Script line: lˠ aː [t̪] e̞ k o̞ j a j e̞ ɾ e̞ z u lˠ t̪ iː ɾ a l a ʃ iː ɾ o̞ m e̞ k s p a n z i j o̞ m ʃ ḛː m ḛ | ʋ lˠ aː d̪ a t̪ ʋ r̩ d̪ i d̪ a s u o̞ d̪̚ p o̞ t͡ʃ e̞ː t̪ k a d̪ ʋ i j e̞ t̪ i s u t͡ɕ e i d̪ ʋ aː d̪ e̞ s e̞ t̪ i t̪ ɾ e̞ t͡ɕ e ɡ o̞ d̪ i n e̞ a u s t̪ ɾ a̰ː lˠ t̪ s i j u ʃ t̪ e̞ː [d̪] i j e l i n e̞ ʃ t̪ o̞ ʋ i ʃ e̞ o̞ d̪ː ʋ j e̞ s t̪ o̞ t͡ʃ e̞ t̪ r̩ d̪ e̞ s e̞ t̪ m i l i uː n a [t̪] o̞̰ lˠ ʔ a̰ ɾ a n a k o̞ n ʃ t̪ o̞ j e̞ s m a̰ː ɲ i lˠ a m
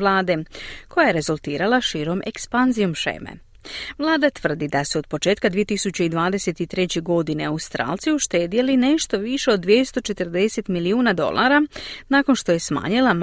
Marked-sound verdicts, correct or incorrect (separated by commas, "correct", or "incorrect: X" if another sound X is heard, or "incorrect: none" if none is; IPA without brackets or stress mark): incorrect: d̪, correct, incorrect: d̪